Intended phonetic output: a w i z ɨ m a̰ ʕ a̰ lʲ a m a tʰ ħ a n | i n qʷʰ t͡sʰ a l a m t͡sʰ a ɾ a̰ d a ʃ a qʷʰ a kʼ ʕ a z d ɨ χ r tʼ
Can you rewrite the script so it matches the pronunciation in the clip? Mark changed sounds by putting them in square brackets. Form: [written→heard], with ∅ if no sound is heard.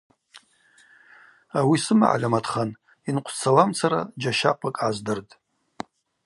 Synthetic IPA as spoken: a w i [z→s] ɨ m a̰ ʕ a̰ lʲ a m a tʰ [ħ→χ] a n | i n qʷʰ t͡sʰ a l a m t͡sʰ a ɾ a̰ [d→d͡ʒ] a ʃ a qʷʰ a kʼ ʕ a z d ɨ [χ→∅] r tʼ